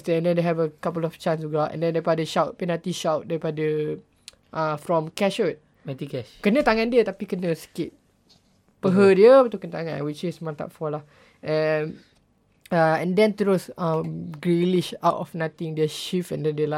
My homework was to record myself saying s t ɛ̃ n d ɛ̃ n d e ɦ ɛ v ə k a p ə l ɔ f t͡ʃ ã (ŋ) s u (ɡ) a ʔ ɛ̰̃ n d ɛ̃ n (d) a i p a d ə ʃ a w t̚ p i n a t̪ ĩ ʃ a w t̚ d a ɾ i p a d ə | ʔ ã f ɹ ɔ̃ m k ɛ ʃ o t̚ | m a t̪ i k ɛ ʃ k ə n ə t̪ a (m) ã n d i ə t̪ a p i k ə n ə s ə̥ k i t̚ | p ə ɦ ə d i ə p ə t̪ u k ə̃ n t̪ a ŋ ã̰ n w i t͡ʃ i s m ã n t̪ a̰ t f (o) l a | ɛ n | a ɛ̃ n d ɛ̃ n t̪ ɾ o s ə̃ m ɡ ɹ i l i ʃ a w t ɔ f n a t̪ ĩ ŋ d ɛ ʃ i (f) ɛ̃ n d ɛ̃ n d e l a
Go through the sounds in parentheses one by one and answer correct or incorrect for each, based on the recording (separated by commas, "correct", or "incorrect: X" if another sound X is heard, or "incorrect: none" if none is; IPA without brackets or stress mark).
incorrect: n, correct, correct, incorrect: ŋ, incorrect: ɔ, correct